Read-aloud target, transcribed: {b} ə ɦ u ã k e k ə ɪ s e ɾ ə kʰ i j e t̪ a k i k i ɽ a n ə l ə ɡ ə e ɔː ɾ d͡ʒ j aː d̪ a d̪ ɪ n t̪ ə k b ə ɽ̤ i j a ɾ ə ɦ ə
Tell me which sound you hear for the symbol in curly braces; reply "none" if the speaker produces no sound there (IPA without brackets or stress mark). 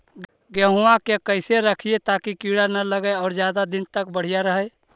ɡ